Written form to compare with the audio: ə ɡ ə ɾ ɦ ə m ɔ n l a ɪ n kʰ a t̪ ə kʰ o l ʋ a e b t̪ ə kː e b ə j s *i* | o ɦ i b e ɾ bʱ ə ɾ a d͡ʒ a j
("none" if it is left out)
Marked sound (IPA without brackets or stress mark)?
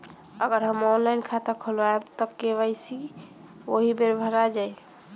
i